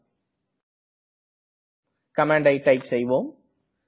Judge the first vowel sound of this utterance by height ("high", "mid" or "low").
low